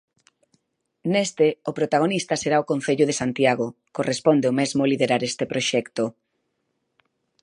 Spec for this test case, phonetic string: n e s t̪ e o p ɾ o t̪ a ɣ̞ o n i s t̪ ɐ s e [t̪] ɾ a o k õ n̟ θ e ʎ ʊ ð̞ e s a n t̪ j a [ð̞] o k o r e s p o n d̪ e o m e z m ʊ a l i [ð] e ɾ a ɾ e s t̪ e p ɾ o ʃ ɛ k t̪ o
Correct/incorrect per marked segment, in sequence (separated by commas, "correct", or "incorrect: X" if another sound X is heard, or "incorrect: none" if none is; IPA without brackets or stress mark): incorrect: none, incorrect: ɣ̞, correct